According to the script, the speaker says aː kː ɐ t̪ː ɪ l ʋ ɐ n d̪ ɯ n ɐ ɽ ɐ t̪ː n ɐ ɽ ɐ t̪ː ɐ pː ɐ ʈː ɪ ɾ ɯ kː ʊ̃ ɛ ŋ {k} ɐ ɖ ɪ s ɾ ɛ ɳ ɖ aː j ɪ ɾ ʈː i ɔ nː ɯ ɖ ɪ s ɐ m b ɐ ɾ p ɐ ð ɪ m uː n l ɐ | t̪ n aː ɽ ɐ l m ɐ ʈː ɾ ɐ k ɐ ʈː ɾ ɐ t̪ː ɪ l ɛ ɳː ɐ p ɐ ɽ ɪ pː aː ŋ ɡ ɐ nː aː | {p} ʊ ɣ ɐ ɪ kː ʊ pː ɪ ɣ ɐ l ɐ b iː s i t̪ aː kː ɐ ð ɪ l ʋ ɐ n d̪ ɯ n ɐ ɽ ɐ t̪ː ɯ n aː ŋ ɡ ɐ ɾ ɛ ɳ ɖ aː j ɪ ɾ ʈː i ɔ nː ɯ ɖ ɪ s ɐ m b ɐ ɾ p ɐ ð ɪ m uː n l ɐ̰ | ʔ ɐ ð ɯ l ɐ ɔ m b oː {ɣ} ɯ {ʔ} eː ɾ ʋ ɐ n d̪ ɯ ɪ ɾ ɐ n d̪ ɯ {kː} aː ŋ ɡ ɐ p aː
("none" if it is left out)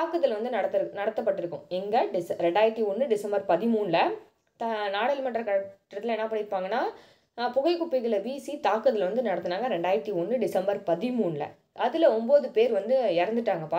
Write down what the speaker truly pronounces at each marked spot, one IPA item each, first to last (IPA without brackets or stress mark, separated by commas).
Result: ɡ, p, ð, p, ʈː